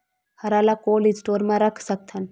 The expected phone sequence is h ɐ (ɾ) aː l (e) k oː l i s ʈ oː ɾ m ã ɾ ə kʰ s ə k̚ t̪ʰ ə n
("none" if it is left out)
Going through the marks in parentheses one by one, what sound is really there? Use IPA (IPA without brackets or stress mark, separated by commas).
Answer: ɾ, a